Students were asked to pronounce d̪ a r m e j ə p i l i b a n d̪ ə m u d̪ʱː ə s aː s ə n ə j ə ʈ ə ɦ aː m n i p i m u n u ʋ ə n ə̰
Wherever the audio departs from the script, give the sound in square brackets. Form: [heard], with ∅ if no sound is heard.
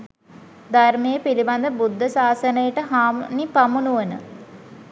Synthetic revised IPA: d̪ a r m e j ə p i l i b a n d̪ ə [b] u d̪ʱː ə s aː s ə n ə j ə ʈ ə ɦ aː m n i p [a] m u n u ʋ ə n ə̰